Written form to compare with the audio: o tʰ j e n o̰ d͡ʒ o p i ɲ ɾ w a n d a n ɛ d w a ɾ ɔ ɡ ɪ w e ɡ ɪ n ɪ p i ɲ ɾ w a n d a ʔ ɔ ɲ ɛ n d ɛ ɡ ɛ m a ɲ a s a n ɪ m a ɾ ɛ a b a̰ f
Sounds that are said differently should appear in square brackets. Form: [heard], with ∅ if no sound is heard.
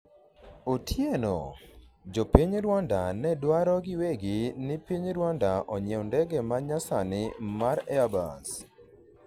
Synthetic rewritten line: o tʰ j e n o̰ d͡ʒ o p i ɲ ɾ w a n d a n ɛ d w a ɾ ɔ ɡ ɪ w e ɡ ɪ n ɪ p i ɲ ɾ w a n d a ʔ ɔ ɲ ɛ n d ɛ ɡ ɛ m a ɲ a s a n ɪ m a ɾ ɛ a b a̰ [s]